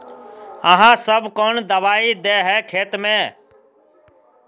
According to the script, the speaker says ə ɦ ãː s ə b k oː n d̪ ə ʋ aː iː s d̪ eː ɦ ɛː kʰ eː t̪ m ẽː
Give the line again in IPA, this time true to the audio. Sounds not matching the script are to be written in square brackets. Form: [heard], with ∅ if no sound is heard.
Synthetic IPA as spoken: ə ɦ ãː s ə b k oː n d̪ ə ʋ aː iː [∅] d̪ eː ɦ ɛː kʰ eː t̪ m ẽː